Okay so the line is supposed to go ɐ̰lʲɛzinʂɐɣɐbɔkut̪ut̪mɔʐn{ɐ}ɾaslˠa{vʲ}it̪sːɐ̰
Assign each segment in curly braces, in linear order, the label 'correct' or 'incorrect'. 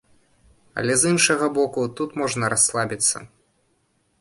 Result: correct, incorrect: bʲ

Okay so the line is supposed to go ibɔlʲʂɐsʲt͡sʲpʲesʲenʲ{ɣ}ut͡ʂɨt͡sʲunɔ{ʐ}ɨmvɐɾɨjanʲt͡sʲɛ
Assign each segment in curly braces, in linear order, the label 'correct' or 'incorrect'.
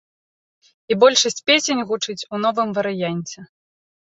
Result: correct, incorrect: v

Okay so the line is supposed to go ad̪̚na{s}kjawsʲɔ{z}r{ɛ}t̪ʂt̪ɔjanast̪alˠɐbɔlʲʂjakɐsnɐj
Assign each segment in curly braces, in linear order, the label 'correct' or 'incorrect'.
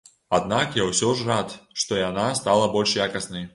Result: incorrect: none, incorrect: ʐ, incorrect: a

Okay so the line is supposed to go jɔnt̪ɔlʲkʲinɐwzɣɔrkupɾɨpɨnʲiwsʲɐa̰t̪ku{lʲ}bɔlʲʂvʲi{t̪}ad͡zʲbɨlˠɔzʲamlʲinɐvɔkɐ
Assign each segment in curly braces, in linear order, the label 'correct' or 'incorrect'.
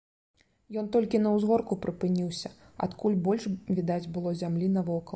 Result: correct, incorrect: d̪

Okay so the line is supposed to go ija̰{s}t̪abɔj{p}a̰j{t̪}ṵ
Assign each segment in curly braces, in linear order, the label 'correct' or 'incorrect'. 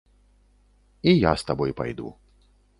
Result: correct, correct, incorrect: d̪

